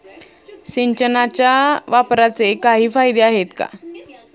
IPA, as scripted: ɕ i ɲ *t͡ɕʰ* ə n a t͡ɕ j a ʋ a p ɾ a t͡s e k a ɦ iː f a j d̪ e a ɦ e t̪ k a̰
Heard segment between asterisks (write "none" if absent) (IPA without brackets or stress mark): t͡ɕ